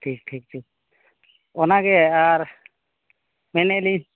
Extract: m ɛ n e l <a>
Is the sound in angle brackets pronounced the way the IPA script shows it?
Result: no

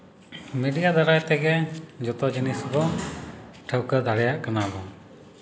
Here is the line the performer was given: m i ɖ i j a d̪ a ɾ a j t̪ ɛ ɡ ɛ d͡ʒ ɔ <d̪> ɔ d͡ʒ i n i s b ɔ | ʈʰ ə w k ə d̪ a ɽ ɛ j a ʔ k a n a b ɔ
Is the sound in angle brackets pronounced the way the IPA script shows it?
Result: no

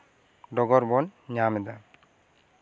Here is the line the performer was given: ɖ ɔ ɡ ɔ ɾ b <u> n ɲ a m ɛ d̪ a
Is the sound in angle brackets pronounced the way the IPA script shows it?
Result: no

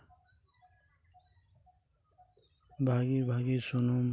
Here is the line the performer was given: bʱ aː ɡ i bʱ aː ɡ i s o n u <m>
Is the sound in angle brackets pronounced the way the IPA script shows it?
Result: yes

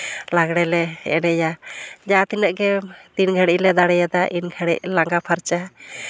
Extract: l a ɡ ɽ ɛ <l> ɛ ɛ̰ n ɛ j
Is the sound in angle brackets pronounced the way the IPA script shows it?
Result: yes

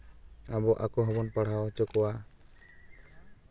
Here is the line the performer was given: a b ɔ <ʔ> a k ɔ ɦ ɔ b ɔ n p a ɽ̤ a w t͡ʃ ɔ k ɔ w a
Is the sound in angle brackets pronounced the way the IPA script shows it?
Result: yes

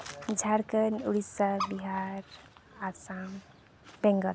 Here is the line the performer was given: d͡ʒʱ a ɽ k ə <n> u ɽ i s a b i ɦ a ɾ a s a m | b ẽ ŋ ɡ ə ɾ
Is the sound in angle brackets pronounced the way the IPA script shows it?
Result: yes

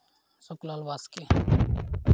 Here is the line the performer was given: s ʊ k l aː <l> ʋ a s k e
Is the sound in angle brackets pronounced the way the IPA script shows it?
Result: yes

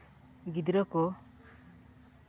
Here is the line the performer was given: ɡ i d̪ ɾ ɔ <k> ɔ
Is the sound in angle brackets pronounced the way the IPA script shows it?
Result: yes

